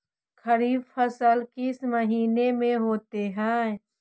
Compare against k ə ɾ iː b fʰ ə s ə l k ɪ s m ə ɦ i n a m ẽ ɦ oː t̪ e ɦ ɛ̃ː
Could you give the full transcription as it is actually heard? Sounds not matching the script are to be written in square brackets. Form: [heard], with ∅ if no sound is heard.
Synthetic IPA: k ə ɾ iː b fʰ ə s ə l k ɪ s m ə ɦ [iː] n [e] m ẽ ɦ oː t̪ e ɦ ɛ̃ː